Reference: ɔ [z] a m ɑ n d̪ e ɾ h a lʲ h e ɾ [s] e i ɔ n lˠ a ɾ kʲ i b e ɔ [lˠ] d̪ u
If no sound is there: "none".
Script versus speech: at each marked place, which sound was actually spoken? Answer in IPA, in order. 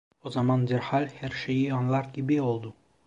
z, ʃ, lˠ

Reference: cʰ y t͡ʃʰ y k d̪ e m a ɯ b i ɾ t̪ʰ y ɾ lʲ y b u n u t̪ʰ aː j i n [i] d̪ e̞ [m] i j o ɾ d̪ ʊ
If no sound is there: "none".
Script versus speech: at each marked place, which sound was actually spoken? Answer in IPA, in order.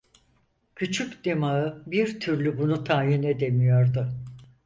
e, m

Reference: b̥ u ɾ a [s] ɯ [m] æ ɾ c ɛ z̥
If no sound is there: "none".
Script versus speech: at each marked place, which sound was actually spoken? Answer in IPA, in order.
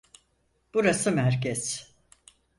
s, m

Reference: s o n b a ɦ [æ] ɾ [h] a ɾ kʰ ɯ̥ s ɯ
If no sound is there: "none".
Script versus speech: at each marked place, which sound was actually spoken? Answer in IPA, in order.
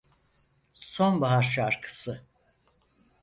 a, ʃ

